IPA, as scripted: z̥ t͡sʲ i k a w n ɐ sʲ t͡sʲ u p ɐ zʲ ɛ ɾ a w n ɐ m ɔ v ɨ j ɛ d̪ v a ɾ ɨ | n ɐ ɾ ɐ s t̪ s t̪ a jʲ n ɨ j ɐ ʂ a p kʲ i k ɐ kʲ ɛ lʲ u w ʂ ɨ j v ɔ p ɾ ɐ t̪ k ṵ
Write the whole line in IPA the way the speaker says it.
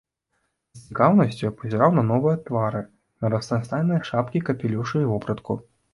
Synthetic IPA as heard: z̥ t͡sʲ i k a w n ɐ sʲ t͡sʲ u p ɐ zʲ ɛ ɾ a w n ɐ n ɔ v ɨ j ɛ t̪ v a ɾ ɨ | n ɐ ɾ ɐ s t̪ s t̪ a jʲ n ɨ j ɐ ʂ a p kʲ i k ɐ pʲ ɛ lʲ u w ʂ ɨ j v ɔ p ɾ ɐ t̪ k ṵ